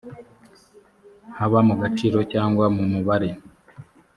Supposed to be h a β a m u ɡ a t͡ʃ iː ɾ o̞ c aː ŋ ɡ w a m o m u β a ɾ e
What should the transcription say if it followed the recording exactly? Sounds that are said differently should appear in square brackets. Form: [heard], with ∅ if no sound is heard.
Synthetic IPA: h a β a m u ɡ a t͡ʃ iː ɾ o̞ c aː ŋ ɡ w a m [u] m u β a ɾ e